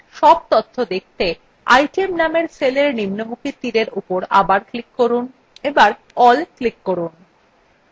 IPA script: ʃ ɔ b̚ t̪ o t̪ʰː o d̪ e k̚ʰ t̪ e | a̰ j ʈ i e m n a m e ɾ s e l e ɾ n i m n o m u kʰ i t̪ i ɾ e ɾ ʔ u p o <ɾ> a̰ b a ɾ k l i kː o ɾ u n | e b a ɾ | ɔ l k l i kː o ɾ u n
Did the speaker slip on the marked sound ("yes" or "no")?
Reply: no